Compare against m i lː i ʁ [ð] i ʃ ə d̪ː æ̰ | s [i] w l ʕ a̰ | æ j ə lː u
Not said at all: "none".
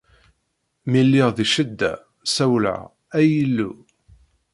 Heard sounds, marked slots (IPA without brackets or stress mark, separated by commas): ð, æ